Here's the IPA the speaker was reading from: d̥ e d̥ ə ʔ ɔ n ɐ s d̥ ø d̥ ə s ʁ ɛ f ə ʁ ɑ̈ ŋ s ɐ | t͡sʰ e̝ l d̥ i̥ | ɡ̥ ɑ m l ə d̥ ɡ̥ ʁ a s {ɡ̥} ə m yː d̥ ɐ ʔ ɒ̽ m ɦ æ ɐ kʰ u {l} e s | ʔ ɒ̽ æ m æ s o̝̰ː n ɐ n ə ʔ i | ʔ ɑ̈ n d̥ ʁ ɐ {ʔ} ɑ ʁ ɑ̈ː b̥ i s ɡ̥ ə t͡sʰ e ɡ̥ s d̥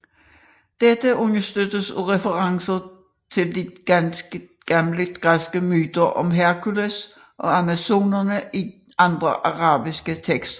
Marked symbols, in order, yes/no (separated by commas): yes, yes, yes